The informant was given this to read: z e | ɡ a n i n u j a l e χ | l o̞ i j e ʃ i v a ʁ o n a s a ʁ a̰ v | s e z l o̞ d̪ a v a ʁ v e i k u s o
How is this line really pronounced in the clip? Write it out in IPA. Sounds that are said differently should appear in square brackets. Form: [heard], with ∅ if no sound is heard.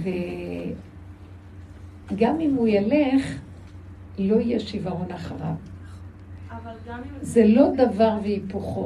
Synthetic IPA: [v] e | ɡ a [m] i [m] u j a l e χ | l o̞ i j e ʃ i v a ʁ o n a [χ] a ʁ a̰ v | [z] e [∅] l o̞ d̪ a v a ʁ v e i [p] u [χ] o